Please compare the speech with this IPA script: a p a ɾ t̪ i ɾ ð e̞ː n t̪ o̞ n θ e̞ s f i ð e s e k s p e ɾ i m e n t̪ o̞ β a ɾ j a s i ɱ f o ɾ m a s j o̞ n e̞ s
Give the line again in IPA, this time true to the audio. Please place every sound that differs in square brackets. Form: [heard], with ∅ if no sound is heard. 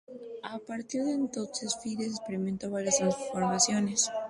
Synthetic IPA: a p a ɾ t̪ i ɾ ð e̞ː n t̪ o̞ n [s] e̞ s f i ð e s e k s p e ɾ i m e n t̪ o̞ β a ɾ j a s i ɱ f o ɾ m a s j o̞ n e̞ s